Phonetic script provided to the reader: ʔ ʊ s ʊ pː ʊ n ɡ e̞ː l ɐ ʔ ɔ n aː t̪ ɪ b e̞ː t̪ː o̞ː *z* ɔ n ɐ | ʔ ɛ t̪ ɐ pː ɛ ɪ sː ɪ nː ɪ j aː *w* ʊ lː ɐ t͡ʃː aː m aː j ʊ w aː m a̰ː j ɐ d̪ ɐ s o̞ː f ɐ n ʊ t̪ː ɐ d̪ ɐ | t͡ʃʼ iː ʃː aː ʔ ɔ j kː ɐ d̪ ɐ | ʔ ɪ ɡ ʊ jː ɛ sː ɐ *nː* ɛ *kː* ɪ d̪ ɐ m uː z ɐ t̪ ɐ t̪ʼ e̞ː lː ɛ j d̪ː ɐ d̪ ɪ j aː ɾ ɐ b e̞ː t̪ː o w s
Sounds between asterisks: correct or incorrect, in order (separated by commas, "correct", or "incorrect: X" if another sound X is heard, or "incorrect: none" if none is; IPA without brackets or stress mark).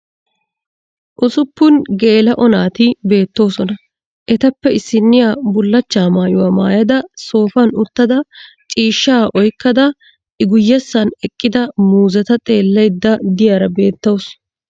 incorrect: s, incorrect: b, incorrect: n, incorrect: kʼː